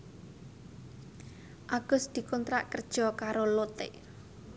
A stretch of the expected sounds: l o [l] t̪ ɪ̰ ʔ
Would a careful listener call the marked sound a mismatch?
yes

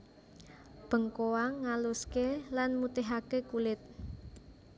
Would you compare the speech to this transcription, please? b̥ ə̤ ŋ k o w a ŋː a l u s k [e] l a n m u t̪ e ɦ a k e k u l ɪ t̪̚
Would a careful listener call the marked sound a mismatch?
no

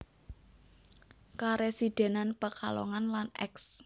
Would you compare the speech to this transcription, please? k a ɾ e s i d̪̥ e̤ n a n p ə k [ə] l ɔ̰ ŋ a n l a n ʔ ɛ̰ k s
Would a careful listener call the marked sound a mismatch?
yes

